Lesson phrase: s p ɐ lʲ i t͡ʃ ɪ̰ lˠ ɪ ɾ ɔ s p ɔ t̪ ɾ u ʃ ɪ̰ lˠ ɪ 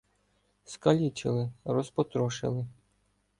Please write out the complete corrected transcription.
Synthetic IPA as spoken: s k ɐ lʲ i t͡ʃ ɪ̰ lˠ ɪ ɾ ɔ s p ɔ t̪ ɾ ɔ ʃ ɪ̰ lˠ ɪ